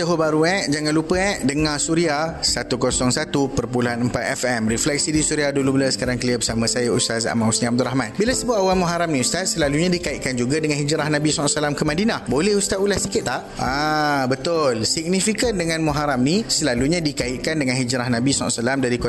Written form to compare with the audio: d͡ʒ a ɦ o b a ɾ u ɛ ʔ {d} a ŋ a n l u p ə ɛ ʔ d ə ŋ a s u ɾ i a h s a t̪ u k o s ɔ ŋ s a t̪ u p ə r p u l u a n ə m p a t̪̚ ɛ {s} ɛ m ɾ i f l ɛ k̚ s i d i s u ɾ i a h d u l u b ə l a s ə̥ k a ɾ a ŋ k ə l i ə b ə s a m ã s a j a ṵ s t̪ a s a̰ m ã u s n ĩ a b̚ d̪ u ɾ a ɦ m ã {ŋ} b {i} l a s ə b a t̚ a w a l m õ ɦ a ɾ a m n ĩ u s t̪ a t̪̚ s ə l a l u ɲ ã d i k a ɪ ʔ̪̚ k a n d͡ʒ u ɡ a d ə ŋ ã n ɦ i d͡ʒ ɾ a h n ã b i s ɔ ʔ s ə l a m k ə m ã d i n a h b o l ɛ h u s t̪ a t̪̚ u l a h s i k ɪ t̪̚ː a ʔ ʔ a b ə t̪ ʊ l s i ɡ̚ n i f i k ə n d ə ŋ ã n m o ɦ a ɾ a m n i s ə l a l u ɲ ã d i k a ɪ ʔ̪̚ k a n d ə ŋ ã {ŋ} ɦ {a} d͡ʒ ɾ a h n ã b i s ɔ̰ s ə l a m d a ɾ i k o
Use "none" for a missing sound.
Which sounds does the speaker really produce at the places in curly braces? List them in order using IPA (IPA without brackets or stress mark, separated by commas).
d͡ʒ, f, n, i, n, i